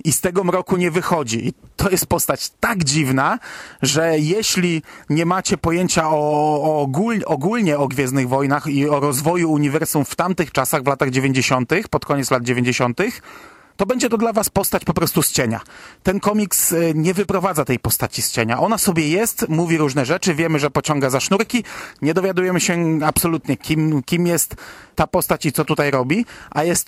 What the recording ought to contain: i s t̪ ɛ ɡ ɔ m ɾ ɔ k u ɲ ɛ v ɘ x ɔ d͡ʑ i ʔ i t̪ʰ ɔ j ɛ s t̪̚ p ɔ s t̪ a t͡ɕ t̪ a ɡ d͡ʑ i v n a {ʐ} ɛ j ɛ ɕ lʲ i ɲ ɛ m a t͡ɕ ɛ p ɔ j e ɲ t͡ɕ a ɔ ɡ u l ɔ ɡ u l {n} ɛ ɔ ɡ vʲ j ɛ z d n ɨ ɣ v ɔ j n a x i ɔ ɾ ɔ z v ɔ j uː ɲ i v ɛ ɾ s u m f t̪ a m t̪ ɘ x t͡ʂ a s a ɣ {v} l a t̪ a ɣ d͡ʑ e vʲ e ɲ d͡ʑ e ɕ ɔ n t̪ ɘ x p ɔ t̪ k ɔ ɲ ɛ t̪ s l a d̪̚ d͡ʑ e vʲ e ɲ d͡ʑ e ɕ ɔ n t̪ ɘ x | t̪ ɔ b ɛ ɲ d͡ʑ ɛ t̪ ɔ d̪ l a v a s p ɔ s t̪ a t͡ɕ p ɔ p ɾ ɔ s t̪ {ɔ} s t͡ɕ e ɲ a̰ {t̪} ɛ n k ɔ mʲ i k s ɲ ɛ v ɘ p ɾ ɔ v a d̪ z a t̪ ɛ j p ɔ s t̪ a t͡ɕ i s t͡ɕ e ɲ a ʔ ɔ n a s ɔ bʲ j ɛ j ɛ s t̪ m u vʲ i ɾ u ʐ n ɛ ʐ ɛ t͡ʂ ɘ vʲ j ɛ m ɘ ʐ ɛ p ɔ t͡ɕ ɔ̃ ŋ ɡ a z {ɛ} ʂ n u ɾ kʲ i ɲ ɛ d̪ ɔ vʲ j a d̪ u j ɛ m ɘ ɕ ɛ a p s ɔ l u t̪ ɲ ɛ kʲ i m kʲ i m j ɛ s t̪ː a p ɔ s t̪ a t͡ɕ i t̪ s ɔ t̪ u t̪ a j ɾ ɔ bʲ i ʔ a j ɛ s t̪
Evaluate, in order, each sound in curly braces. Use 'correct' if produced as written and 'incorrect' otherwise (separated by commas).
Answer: correct, incorrect, correct, incorrect, correct, incorrect